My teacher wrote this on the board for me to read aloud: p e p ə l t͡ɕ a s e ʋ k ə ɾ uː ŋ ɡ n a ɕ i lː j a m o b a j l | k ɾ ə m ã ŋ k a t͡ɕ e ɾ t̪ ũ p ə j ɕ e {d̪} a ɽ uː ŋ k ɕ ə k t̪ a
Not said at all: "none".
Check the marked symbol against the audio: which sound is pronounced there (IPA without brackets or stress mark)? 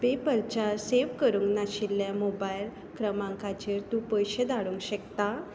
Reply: d̪